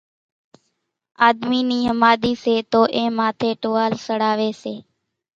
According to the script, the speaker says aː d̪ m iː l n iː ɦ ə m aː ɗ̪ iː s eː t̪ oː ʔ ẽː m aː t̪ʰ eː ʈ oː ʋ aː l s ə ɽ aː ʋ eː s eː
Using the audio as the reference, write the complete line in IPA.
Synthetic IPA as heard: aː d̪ m iː n iː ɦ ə m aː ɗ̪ iː s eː t̪ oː ʔ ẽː m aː t̪ʰ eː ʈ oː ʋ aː l s ə ɽ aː ʋ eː s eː